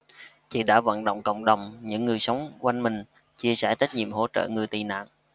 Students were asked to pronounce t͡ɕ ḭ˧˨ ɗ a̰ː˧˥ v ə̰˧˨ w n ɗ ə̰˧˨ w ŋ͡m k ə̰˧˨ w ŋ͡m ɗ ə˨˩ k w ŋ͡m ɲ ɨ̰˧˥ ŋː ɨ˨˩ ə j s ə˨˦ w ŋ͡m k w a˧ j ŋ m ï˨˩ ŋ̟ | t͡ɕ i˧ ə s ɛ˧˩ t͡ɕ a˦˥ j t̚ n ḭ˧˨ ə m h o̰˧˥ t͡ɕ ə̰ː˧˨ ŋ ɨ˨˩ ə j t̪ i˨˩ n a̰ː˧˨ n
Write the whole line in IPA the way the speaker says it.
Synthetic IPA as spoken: t͡ɕ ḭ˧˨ ɗ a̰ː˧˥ v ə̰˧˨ n ɗ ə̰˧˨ w ŋ͡m k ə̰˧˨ w ŋ͡m ɗ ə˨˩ w ŋ͡m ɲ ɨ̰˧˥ ŋː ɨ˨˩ ə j s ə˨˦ w ŋ͡m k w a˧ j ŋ m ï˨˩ ŋ̟ | t͡ɕ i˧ ə s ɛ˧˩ t͡ɕ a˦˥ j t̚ ɲ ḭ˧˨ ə m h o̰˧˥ t͡ɕ ə̰ː˧˨ ŋ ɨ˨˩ ə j t̪ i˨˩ n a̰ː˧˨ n